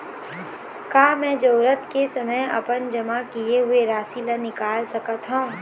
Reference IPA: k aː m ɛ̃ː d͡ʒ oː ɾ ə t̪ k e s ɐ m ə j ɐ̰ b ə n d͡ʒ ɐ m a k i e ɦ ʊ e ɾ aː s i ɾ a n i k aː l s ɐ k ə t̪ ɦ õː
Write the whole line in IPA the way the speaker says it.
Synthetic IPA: k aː m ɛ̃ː d͡ʒ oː ɾ ə t̪ k e s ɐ m ə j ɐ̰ p ə n d͡ʒ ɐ m a k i e ɦ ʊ e ɾ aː s i l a n ɪ k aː l s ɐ k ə t̪ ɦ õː

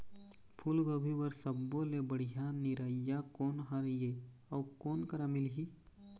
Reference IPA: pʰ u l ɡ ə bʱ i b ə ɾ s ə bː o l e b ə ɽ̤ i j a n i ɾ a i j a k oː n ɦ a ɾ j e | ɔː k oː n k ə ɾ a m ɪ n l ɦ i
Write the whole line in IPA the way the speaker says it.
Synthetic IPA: pʰ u l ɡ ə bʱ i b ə ɾ s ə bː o l e b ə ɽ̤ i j a n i ɾ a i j a k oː n ɦ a ɾ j e | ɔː k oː n k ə ɾ a m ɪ l ɦ i

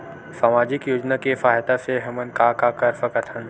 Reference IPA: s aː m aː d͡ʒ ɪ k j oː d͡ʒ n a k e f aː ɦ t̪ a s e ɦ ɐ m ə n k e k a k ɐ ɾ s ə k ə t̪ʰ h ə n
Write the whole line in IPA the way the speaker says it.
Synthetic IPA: s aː m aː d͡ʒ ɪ k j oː d͡ʒ n a k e f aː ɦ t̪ a s e ɦ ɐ m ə n k a k a k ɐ ɾ f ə k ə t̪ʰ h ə n

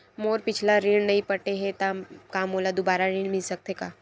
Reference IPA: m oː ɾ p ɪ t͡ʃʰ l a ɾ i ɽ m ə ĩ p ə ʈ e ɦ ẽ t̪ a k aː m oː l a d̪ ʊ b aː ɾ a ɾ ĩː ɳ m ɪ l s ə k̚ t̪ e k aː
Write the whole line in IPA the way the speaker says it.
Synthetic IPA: m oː ɾ p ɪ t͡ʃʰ l a ɾ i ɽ n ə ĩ p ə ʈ e ɦ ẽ t̪ a k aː m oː l a d̪ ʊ b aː ɾ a ɾ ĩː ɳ m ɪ l s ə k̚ t̪ e k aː

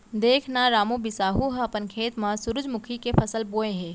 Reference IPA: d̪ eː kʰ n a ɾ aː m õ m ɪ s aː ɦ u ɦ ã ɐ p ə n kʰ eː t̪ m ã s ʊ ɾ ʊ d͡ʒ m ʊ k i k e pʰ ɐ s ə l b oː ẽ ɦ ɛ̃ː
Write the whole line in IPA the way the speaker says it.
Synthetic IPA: d̪ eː kʰ n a ɾ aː m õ b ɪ s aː ɦ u ɦ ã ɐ p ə n kʰ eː t̪ m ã s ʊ ɾ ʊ d͡ʒ m ʊ kʰ i k e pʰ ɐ s ə l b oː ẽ ɦ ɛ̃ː

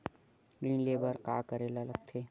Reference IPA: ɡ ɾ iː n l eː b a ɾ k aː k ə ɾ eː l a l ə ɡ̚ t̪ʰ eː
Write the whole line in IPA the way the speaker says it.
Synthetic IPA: ɡ ɾ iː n l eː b ə ɾ k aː k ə ɾ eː l a l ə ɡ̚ t̪ʰ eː

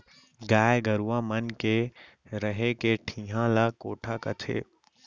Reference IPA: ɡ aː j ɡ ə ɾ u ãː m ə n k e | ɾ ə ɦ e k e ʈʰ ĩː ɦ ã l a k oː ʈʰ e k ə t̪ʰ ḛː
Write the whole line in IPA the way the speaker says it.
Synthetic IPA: ɡ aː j ɡ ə ɾ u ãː m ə n k e | ɾ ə ɦ e k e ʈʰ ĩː ɦ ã l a k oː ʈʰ a k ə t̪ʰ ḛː

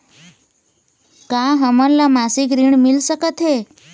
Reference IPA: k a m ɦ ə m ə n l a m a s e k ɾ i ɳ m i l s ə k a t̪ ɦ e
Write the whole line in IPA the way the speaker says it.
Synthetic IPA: k a ɦ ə m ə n l a m a s i k ɾ i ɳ m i l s ə k ə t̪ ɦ e

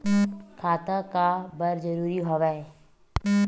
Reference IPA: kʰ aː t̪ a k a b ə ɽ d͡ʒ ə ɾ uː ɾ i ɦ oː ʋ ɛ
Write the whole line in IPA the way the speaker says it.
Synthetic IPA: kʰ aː t̪ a k a b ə ɾ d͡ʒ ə ɾ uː ɾ i ɦ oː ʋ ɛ

